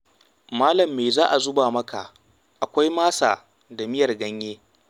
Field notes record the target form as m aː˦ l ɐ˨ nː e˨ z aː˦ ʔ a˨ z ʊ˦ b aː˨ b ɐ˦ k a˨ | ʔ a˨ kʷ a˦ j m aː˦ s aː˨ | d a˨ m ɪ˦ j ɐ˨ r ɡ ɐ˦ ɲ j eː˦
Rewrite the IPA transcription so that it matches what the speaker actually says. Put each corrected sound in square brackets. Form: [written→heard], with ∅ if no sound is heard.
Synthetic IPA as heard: m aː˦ l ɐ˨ [nː→mː] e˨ z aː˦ ʔ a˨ z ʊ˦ b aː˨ [b→m] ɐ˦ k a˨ | ʔ a˨ kʷ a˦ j m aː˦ s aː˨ | d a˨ m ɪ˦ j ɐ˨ r ɡ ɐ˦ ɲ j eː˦